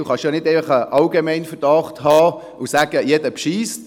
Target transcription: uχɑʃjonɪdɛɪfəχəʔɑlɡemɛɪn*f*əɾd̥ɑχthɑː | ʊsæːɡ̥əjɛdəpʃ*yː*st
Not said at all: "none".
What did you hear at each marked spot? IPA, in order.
f, iː

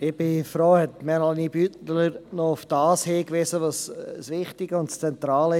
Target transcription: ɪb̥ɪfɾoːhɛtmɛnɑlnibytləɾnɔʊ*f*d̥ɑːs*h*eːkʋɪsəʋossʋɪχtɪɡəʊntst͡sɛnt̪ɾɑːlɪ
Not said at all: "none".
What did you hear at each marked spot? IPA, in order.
f, h

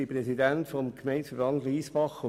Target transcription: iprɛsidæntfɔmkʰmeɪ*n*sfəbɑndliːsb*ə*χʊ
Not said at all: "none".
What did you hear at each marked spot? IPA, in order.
n, ɑ

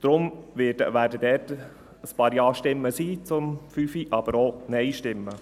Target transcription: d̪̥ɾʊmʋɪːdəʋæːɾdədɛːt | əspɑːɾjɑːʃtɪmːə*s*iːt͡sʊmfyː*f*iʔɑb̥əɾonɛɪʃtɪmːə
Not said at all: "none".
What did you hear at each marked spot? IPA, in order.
s, f

